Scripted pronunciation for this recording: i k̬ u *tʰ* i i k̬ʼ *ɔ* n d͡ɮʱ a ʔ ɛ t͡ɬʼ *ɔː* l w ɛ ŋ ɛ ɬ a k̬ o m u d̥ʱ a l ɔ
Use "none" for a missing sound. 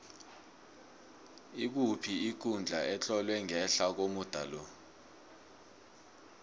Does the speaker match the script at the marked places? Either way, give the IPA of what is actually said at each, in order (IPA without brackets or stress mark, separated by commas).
pʰ, u, ɔ